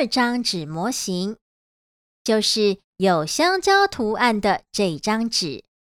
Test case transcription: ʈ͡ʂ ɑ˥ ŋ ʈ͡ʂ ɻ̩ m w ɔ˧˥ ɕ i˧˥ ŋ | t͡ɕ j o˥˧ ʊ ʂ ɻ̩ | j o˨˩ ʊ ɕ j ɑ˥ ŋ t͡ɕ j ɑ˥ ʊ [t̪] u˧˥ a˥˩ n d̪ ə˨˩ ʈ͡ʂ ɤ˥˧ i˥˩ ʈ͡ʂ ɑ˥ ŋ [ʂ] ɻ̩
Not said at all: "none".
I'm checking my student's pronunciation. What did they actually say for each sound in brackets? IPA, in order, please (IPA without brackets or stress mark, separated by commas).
t̪ʰ, ʈ͡ʂ